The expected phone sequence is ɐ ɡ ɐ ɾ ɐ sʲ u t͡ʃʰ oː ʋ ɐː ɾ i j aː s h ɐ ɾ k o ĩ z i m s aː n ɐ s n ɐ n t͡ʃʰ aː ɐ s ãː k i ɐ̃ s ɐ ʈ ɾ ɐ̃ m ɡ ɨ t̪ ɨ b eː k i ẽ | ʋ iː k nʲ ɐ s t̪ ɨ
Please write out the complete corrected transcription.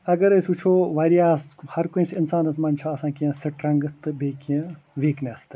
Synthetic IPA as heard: ɐ ɡ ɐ ɾ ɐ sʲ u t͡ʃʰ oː ʋ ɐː ɾ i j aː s h ɐ ɾ k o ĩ s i n s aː n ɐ s m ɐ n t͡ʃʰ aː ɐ s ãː k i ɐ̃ s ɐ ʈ ɾ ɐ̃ ŋ ɡ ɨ t̪ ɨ b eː k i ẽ | ʋ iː k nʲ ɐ s t̪ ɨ